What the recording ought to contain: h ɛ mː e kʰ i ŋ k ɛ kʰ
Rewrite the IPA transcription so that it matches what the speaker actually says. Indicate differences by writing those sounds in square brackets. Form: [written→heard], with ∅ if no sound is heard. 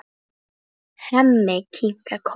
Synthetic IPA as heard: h [ɛ→a] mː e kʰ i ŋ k [ɛ→a] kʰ